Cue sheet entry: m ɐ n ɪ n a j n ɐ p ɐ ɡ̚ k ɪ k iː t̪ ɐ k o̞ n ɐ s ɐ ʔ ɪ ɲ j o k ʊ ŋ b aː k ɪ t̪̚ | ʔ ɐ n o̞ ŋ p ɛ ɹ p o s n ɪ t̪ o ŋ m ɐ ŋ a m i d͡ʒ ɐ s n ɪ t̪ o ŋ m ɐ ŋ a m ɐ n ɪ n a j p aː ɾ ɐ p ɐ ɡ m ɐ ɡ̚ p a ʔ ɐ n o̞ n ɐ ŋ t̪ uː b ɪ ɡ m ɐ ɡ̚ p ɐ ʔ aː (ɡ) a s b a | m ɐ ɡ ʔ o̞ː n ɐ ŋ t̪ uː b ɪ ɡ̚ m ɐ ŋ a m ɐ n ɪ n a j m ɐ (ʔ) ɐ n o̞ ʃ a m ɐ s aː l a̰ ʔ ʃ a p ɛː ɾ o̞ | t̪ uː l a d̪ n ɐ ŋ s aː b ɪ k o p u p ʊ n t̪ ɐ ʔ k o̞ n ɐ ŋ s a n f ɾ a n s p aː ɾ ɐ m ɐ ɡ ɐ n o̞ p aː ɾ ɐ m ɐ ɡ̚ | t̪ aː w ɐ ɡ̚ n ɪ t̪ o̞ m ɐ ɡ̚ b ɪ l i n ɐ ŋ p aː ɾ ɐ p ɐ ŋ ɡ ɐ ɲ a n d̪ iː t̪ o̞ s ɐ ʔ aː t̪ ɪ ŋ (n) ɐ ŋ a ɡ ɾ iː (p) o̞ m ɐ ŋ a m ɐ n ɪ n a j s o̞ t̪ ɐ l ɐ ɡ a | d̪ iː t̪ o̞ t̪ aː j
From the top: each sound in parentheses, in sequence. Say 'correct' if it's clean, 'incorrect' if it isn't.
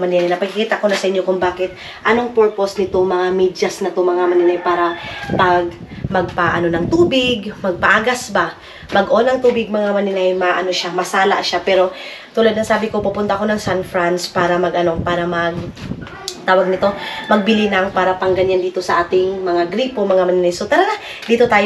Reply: correct, correct, incorrect: m, correct

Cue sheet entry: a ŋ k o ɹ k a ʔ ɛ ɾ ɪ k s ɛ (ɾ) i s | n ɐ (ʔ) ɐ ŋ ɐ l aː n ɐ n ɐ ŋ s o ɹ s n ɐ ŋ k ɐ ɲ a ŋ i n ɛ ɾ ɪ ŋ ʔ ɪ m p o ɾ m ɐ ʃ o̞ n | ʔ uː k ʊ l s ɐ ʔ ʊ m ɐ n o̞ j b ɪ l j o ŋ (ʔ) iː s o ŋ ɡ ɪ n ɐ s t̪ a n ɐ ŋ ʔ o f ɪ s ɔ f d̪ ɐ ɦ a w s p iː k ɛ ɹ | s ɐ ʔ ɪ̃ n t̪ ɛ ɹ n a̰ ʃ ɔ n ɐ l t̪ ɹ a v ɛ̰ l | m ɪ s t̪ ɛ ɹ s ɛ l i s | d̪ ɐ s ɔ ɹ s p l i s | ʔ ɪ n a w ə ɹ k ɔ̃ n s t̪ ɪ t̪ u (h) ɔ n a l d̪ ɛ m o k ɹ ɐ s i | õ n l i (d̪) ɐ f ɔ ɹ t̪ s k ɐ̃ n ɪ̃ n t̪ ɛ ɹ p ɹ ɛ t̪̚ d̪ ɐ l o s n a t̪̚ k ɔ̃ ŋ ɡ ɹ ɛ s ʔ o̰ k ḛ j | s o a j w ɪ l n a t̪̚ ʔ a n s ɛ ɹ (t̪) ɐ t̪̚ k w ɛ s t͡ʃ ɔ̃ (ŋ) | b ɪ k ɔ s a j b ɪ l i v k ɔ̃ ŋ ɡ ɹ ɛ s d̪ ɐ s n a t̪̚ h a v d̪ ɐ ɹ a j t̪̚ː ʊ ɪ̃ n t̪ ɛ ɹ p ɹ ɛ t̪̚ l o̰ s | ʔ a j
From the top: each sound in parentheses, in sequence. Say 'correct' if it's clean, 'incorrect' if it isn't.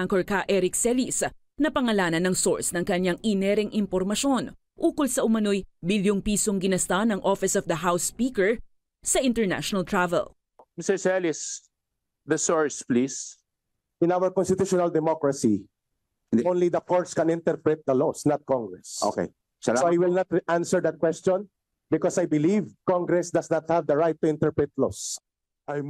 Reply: incorrect: l, incorrect: p, incorrect: p, incorrect: ʃ, correct, incorrect: d̪, incorrect: n

